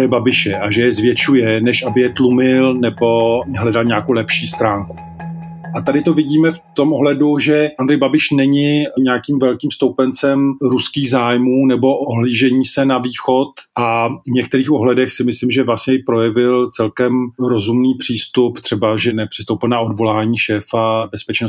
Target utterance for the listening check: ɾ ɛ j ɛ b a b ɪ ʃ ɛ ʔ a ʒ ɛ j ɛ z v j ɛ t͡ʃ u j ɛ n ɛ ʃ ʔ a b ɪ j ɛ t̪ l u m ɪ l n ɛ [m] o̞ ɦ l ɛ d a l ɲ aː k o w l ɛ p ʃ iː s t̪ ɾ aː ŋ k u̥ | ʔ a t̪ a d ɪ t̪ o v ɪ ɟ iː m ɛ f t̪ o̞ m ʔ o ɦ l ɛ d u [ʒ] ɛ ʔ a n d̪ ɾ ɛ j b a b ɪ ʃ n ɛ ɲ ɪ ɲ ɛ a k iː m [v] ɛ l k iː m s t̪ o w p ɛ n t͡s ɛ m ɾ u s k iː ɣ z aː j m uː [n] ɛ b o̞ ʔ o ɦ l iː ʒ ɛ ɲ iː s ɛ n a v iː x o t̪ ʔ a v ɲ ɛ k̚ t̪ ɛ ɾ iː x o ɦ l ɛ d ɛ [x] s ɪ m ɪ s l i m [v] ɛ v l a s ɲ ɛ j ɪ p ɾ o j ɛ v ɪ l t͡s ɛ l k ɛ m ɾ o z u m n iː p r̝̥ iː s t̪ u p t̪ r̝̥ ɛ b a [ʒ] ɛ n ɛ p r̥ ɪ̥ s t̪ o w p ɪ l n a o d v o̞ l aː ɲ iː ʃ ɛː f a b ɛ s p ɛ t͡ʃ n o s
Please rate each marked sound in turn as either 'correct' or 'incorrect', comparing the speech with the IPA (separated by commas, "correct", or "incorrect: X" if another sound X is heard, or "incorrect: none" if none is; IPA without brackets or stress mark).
incorrect: b, correct, correct, correct, correct, incorrect: ʒ, correct